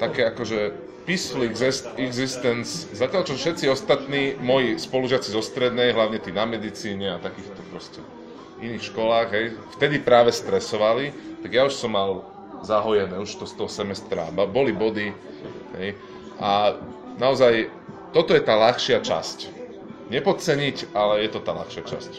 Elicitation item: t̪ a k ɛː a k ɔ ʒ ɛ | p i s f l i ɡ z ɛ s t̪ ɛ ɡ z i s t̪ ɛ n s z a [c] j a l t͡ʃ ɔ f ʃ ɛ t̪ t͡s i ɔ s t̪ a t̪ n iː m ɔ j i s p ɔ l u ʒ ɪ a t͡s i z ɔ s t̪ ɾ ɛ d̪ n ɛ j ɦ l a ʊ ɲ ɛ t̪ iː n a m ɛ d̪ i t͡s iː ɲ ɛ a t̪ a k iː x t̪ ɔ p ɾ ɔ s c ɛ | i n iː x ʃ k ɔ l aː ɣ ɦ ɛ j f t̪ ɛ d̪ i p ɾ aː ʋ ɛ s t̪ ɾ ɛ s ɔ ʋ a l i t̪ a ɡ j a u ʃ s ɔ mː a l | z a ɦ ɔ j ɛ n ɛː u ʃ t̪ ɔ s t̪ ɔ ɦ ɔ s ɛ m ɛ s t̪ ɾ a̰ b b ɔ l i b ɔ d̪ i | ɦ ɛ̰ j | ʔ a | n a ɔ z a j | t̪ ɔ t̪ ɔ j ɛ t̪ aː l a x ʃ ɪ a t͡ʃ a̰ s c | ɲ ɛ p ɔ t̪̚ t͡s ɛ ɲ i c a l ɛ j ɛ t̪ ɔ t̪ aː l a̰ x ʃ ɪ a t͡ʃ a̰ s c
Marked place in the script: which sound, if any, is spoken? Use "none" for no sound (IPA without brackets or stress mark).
c